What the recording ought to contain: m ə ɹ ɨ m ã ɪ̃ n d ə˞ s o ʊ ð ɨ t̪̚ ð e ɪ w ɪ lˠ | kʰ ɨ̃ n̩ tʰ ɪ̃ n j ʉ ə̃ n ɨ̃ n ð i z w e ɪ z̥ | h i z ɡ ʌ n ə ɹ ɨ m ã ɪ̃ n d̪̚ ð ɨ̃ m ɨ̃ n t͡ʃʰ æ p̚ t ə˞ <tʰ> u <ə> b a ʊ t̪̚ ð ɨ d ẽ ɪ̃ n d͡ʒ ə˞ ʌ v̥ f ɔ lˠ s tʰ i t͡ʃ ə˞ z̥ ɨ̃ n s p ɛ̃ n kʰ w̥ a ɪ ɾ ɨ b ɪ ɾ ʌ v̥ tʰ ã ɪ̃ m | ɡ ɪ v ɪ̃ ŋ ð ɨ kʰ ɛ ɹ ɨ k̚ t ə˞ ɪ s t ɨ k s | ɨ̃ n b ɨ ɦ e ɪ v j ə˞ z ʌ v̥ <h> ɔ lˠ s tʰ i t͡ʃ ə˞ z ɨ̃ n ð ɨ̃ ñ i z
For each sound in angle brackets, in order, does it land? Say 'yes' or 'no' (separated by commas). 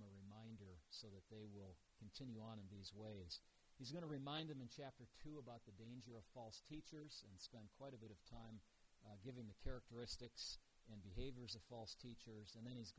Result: yes, yes, no